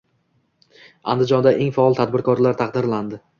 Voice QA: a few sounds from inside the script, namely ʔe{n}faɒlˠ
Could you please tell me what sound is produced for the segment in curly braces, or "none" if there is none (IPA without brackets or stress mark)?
ŋ